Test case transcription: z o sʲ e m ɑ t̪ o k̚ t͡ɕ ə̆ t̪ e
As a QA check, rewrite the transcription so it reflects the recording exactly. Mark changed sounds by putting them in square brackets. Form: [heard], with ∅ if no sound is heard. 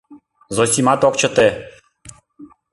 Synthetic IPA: z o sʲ [i] m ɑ t̪ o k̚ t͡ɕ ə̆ t̪ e